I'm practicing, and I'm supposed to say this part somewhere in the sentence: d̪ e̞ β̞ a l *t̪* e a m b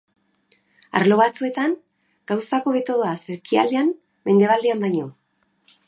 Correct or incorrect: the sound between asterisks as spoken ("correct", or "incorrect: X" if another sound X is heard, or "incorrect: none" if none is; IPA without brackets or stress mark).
incorrect: d̪